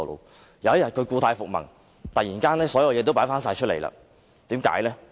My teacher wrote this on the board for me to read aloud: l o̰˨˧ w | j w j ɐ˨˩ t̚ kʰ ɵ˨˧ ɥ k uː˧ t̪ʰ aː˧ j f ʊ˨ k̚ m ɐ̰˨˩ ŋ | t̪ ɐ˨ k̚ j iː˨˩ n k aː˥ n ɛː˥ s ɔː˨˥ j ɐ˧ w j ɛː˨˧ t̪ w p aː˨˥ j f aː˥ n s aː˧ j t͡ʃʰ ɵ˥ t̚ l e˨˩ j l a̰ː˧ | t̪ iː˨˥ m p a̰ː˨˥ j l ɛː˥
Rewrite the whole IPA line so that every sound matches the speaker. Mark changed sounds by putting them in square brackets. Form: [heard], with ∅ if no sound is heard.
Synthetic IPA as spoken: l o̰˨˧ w | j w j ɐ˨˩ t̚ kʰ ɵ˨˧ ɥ k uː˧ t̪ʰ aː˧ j f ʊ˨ k̚ m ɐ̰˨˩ ŋ | t̪ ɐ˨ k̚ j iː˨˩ n k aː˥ n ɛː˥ s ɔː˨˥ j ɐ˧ w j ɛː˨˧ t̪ w p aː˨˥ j f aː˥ n s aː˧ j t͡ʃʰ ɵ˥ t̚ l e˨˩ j l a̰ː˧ | t̪ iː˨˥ m [k] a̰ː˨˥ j l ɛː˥